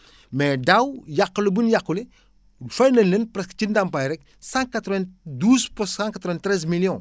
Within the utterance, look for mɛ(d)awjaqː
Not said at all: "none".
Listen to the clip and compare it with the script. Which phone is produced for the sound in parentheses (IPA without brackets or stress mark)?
d